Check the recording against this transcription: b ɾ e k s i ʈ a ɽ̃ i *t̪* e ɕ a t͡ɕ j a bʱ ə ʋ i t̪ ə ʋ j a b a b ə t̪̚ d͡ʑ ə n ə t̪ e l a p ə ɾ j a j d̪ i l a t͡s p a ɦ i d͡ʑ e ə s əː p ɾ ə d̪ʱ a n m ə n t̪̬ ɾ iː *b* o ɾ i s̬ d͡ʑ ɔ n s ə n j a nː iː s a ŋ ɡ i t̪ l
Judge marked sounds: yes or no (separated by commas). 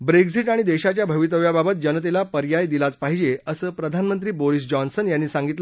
no, yes